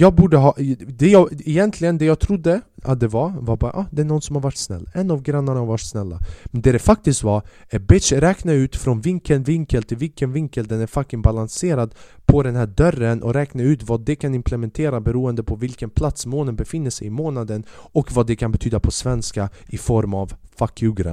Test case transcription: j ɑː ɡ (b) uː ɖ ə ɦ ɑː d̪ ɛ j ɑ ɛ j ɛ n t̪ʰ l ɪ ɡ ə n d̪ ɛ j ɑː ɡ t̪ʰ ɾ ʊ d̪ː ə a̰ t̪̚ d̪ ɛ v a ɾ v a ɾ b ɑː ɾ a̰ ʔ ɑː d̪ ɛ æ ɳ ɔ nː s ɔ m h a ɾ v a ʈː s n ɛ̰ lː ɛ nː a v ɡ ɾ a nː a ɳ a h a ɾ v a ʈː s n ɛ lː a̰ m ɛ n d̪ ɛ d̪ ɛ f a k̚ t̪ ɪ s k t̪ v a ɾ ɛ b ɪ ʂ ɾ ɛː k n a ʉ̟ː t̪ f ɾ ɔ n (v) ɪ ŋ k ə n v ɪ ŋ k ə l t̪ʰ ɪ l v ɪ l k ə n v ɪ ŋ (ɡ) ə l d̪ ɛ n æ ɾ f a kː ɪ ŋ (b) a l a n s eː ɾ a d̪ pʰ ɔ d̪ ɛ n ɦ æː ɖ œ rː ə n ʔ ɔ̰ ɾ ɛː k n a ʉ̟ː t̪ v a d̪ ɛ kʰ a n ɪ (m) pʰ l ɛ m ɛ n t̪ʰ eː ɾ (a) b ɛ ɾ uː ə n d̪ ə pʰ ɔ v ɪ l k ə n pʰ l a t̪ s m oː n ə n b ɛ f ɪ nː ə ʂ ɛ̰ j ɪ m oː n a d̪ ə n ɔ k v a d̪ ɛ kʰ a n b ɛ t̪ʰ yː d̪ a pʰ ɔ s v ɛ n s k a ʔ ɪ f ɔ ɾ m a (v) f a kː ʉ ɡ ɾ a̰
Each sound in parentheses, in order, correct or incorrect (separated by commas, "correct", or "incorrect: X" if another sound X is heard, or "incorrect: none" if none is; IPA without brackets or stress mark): correct, correct, incorrect: k, correct, correct, correct, correct